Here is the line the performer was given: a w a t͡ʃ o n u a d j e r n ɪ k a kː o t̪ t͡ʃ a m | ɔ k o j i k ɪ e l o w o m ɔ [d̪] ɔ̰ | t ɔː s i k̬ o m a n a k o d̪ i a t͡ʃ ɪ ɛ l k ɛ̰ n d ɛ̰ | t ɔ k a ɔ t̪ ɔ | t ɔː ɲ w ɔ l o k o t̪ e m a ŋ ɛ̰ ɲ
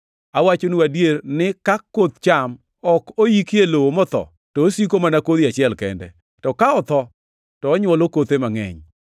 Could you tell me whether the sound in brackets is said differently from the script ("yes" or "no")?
yes